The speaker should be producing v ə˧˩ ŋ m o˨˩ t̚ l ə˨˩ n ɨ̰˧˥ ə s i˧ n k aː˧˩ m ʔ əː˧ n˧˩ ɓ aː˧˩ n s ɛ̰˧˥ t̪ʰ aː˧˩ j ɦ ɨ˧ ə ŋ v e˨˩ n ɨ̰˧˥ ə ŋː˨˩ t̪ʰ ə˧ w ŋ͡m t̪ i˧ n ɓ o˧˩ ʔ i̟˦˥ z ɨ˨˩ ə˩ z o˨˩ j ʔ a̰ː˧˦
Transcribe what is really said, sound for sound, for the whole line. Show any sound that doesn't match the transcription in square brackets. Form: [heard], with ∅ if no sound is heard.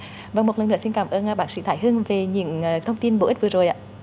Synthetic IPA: v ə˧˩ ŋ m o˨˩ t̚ l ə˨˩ n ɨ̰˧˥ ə s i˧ n k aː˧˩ m ʔ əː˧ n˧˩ ɓ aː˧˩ n s [ḭ˧˥] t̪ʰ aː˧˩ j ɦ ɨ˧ ə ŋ v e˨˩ [ɲ] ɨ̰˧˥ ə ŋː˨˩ t̪ʰ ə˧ w ŋ͡m t̪ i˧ n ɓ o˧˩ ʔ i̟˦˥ [v] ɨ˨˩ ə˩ z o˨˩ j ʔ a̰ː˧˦